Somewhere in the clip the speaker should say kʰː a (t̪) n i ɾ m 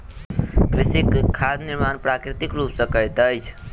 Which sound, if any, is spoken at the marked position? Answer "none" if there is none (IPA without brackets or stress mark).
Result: d̪